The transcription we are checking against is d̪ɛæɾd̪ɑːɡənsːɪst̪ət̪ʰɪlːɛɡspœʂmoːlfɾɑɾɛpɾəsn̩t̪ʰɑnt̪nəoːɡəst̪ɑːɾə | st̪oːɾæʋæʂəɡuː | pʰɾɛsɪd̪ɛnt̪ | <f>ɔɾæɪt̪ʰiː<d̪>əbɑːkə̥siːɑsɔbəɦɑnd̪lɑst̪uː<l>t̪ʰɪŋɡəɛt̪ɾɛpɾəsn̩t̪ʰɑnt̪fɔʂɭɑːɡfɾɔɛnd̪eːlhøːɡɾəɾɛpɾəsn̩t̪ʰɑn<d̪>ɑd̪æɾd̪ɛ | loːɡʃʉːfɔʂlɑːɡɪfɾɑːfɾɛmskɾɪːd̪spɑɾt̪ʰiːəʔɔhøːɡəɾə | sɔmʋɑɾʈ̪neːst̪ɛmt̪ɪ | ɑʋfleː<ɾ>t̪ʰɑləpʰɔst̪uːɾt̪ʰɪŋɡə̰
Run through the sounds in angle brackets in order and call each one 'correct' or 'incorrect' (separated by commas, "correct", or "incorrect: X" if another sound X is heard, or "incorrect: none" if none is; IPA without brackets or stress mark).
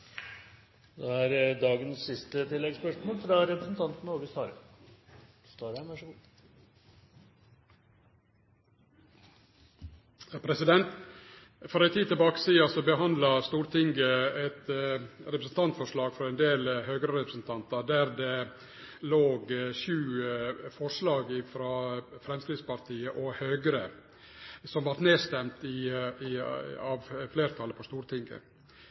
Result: correct, incorrect: t̪, incorrect: ɾ, incorrect: t̪, correct